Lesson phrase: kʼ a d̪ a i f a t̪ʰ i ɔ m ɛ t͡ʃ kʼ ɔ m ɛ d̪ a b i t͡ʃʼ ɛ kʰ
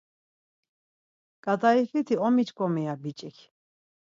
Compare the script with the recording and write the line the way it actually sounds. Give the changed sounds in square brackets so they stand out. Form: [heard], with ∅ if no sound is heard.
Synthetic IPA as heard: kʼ a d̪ a i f [i] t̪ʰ i ɔ m [i] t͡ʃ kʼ ɔ m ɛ [∅] a b i t͡ʃʼ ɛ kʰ